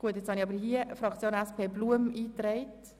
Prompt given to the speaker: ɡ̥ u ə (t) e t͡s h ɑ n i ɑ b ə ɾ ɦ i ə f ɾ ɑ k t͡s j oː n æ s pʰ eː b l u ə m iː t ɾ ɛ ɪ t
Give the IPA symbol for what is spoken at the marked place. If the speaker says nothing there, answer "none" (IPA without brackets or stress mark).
t